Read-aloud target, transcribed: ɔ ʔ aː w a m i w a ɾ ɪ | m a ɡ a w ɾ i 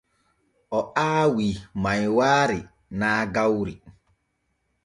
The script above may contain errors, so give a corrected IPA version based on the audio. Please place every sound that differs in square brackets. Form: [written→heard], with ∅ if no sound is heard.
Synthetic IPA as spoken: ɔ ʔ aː w [a→i] m [i→a] w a ɾ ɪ | [m→n] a ɡ a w ɾ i